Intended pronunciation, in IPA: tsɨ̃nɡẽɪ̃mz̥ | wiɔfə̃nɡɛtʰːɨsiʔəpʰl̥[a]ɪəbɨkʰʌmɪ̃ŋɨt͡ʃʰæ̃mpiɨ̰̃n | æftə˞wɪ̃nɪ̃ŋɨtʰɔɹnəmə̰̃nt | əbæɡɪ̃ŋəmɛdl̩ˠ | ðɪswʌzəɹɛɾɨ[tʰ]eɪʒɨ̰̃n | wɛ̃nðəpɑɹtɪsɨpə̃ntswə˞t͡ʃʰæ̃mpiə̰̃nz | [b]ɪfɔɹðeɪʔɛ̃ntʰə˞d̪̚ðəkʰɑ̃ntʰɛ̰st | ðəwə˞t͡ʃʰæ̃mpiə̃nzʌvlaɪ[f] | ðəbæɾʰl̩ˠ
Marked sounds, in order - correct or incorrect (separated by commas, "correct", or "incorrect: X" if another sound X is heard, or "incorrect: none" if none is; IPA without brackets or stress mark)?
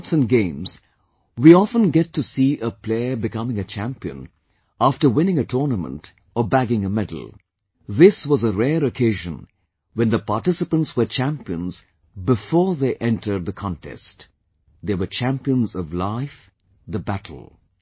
incorrect: e, incorrect: kʰ, correct, correct